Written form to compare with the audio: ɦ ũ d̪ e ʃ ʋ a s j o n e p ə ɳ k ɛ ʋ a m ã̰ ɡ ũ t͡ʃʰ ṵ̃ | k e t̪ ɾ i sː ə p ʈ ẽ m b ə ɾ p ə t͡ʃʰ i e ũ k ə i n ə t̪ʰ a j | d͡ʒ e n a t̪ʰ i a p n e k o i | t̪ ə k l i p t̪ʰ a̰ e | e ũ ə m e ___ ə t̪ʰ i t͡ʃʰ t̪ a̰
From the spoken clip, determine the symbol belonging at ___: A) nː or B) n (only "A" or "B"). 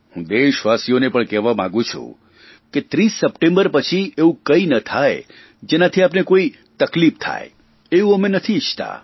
B